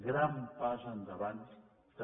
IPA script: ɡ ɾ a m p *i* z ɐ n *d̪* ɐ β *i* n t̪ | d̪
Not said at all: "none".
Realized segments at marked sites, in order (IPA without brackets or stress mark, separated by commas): a, d̪, a